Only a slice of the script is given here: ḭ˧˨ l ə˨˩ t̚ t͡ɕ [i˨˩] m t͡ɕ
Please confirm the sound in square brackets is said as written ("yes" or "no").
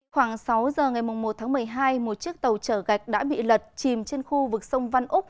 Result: yes